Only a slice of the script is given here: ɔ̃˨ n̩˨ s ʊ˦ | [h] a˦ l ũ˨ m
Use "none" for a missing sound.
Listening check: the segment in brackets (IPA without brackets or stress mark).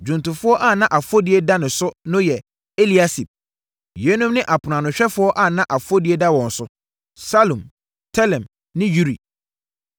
s